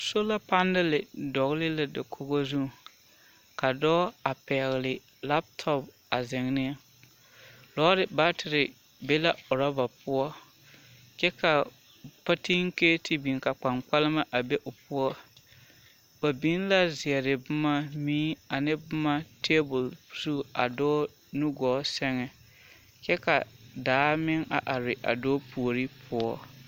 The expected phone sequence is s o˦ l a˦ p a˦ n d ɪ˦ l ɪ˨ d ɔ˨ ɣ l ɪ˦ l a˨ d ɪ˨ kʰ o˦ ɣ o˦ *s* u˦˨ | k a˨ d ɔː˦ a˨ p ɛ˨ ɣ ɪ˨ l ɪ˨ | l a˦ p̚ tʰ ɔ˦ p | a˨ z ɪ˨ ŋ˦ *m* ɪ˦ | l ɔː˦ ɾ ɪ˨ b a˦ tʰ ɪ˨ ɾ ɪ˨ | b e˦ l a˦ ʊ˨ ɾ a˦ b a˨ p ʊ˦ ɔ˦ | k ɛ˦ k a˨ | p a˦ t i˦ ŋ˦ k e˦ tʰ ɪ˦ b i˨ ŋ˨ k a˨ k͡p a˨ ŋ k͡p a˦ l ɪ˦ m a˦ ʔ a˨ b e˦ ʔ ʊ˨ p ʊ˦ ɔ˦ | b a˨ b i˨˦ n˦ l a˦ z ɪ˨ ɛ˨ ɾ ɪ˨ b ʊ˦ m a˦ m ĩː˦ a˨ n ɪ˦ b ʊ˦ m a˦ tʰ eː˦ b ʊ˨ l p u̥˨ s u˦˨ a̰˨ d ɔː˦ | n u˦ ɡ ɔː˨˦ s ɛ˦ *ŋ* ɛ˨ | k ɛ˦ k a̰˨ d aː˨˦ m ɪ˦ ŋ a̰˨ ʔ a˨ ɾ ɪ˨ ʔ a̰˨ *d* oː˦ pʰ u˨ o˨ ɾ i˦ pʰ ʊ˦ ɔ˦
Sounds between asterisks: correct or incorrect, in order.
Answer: incorrect, incorrect, correct, correct

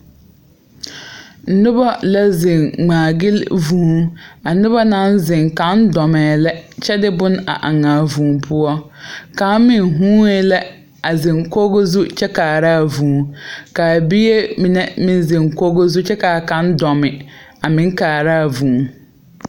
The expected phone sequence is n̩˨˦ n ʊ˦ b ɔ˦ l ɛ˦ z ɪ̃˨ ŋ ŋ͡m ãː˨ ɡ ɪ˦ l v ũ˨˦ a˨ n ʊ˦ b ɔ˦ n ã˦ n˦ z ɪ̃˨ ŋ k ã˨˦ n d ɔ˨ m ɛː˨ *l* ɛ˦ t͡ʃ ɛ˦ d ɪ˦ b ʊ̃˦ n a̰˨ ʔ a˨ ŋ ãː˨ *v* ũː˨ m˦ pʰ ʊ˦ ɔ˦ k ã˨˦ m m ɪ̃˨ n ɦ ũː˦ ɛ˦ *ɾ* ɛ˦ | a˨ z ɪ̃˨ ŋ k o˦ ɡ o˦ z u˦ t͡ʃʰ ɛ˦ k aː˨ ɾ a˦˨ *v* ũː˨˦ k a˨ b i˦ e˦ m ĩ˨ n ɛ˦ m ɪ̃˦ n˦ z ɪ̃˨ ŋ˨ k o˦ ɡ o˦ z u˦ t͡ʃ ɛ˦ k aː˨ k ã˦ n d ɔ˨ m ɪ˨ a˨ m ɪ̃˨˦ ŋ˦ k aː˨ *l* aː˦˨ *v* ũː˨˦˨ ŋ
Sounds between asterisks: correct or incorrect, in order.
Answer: correct, correct, incorrect, correct, incorrect, correct

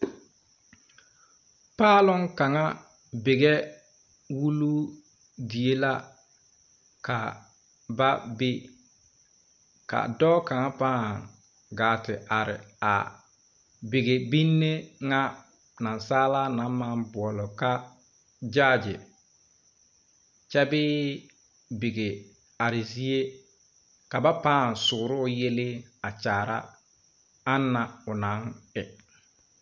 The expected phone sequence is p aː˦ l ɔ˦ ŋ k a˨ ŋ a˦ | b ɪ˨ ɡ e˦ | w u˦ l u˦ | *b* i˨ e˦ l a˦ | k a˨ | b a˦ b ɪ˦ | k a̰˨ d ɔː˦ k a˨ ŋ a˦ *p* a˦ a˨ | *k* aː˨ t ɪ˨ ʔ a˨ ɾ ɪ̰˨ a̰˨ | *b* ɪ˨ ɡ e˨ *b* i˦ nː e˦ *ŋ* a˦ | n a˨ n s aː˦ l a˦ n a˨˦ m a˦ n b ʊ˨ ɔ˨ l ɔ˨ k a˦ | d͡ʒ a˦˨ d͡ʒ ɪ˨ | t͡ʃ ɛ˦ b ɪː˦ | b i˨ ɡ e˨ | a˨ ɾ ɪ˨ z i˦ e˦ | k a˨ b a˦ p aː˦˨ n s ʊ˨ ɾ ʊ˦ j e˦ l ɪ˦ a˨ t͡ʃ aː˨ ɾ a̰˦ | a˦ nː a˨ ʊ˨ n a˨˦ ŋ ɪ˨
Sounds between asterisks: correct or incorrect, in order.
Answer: incorrect, correct, incorrect, correct, correct, correct

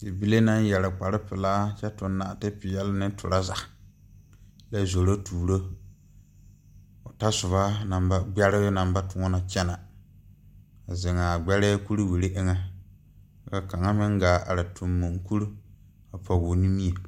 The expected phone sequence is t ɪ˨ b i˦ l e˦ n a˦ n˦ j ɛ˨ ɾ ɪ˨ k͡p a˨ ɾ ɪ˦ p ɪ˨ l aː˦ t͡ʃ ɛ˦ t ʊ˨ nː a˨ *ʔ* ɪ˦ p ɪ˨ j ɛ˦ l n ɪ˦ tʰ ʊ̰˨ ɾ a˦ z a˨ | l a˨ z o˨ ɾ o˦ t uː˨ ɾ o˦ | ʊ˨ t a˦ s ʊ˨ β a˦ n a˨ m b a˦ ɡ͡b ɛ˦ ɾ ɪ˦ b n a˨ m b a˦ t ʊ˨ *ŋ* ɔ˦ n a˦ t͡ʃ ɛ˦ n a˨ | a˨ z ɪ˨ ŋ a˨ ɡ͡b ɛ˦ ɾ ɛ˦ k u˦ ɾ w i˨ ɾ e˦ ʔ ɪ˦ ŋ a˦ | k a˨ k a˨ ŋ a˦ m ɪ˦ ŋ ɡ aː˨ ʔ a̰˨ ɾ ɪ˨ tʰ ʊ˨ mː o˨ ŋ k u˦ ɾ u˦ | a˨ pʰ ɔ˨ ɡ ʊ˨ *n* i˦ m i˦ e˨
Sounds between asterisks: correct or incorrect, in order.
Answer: incorrect, correct, correct

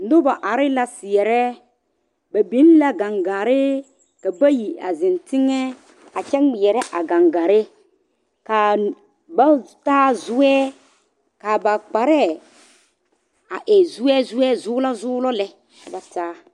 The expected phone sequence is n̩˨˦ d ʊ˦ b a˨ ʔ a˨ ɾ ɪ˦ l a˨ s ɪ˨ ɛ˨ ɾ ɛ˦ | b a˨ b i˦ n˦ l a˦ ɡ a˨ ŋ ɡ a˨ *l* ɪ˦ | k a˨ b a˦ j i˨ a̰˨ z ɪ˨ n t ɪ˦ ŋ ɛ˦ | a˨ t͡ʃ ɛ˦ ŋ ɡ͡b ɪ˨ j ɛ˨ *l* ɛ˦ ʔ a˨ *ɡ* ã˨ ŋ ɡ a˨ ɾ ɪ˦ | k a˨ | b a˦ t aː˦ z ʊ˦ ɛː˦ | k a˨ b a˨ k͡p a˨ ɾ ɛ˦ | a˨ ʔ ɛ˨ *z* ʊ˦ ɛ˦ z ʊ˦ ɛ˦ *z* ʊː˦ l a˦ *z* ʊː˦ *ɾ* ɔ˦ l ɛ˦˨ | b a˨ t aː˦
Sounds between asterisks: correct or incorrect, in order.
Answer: incorrect, incorrect, correct, correct, correct, correct, incorrect

